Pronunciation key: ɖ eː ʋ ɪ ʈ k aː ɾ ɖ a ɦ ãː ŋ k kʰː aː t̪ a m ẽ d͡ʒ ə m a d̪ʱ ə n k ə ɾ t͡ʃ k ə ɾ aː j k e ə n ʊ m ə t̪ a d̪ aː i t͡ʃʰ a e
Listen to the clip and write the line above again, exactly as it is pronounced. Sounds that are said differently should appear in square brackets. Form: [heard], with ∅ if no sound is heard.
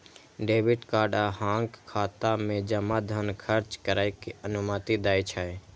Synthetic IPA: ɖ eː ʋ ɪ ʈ k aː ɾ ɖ a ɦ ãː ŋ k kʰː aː t̪ a m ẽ d͡ʒ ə m a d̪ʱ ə n [kʰ] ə ɾ t͡ʃ k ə ɾ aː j k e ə n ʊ m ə t̪ [i] d̪ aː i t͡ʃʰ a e